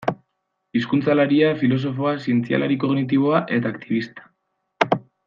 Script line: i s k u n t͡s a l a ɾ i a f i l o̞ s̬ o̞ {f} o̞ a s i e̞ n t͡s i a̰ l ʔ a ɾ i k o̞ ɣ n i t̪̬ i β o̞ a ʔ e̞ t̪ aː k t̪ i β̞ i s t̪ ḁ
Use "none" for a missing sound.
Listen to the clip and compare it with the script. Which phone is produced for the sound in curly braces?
f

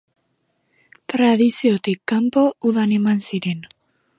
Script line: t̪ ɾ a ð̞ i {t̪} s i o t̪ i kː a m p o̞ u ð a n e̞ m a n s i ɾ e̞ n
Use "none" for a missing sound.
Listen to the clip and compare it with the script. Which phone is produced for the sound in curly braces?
none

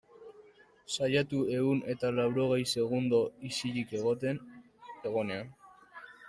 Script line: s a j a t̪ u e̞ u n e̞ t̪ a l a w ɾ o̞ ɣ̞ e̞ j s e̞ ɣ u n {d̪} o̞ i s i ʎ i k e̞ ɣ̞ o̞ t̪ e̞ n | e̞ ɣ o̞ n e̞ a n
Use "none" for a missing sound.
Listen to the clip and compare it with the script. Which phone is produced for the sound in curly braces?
d̪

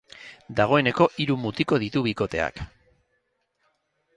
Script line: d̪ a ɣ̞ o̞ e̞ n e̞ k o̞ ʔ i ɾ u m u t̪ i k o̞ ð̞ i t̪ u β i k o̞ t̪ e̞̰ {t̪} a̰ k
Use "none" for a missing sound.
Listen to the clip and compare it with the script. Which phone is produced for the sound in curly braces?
none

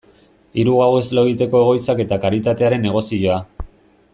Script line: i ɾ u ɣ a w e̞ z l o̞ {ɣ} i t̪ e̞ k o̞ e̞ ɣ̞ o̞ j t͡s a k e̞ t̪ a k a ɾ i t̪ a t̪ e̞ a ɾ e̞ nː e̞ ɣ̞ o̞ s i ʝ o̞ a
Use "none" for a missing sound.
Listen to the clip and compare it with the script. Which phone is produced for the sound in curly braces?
ɣ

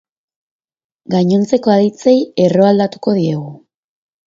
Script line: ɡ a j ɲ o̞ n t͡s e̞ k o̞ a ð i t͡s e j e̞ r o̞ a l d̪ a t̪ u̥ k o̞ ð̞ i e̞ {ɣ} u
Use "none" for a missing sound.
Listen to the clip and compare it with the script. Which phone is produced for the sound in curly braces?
ɣ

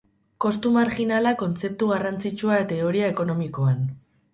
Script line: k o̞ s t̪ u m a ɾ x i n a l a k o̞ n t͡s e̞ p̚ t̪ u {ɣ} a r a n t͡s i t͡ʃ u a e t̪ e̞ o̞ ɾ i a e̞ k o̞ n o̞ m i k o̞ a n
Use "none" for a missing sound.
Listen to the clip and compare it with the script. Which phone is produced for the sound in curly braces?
ɣ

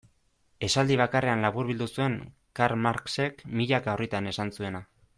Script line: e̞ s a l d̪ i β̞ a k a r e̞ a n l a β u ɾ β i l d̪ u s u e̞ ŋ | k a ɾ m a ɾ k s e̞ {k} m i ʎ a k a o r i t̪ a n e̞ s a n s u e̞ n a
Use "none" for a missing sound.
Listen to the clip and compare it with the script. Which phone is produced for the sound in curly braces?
k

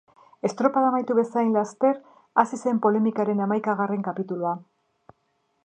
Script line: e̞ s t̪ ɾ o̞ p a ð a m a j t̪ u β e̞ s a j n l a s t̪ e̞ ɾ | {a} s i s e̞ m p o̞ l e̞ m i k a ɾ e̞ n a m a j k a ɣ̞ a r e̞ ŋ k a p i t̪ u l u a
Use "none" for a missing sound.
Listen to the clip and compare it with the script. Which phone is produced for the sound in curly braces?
a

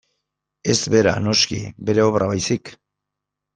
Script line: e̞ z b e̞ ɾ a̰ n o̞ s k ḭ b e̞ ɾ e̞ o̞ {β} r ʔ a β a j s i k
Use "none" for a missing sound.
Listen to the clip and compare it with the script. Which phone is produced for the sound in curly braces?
β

